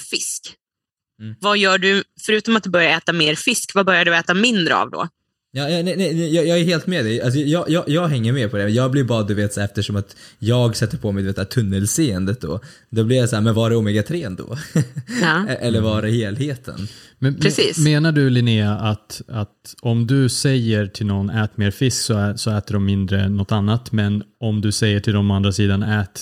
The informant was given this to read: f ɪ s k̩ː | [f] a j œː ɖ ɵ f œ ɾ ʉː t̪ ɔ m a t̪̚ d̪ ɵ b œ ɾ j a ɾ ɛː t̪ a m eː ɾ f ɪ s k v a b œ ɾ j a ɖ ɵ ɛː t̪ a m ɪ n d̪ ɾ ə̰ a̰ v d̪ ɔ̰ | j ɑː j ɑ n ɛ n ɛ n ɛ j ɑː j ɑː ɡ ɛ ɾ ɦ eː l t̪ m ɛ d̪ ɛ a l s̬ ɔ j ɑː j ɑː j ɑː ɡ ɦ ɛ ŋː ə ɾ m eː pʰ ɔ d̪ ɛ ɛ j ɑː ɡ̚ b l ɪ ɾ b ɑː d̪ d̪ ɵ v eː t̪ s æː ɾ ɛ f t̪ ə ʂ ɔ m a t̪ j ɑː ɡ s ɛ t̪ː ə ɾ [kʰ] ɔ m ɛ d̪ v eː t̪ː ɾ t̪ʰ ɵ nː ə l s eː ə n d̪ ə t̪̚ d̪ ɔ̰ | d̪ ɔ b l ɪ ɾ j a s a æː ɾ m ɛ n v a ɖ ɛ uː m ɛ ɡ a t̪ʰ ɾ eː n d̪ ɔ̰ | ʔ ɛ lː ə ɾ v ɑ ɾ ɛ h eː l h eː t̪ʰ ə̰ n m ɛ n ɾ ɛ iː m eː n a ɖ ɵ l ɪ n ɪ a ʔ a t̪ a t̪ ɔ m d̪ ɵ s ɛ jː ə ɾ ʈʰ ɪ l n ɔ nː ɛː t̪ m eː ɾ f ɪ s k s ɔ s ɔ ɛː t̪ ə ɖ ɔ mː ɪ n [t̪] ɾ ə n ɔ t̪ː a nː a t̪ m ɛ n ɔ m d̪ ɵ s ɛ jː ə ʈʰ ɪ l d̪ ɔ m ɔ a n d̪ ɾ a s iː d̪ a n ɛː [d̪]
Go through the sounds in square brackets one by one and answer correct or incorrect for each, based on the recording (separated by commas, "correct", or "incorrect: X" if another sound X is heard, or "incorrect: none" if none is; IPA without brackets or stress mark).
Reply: incorrect: v, incorrect: pʰ, incorrect: d̪, incorrect: t̪